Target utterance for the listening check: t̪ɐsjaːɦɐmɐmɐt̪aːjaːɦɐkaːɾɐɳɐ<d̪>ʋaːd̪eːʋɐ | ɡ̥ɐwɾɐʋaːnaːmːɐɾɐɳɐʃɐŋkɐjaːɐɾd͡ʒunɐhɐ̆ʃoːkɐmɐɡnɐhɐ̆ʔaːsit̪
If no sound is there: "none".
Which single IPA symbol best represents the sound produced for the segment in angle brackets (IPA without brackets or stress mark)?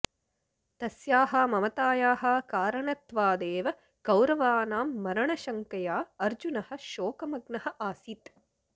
t̪